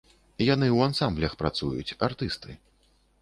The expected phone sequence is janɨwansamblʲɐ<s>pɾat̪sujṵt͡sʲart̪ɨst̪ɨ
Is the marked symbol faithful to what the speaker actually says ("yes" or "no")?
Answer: no